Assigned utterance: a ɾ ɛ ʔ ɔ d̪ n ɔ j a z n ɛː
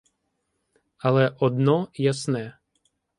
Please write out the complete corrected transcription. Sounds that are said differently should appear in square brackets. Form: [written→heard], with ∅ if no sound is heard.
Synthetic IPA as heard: a [ɾ→l] ɛ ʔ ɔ d̪ n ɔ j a [z→s] n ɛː